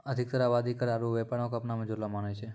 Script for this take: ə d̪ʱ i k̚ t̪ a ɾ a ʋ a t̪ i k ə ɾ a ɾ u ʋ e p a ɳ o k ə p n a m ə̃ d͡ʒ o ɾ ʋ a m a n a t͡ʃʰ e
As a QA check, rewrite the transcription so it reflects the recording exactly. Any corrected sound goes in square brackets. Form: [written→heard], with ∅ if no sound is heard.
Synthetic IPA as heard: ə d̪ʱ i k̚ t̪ [a→ə] ɾ a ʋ a [t̪→d̪] i k ə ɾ a ɾ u ʋ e p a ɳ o k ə p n a m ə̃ d͡ʒ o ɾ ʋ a m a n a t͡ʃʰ e